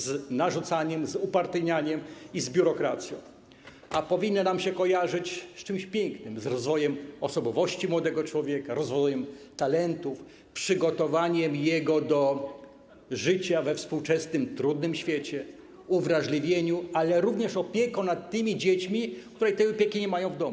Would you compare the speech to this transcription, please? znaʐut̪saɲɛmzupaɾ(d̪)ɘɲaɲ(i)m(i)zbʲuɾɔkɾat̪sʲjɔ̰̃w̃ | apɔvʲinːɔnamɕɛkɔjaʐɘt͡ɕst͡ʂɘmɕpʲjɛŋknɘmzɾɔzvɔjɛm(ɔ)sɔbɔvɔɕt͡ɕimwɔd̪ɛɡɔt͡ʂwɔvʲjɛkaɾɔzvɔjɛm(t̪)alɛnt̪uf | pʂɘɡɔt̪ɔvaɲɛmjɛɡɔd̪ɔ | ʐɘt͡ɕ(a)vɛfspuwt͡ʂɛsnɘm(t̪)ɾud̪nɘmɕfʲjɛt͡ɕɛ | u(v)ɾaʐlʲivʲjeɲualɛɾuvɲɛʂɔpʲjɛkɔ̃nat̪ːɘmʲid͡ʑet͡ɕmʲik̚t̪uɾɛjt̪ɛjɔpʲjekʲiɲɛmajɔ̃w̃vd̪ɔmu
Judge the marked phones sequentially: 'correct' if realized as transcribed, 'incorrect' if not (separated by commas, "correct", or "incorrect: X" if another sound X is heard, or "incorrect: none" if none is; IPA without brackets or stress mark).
incorrect: t̪, incorrect: ɛ, correct, correct, correct, correct, correct, correct